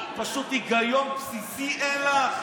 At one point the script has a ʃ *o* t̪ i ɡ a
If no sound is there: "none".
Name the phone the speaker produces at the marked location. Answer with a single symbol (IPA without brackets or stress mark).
u